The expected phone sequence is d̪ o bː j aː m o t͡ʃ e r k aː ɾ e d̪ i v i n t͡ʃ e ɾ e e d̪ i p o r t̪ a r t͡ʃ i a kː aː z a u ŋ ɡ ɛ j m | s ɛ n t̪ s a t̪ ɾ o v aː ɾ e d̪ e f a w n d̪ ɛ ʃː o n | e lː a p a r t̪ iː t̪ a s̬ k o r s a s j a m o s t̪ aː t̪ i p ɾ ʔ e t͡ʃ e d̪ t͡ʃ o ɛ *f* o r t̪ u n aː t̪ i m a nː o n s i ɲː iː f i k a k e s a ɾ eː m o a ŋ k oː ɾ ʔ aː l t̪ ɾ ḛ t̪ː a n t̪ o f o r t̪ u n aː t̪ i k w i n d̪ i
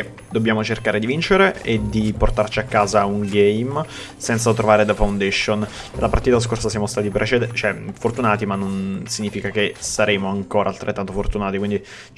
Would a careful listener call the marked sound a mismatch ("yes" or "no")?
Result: no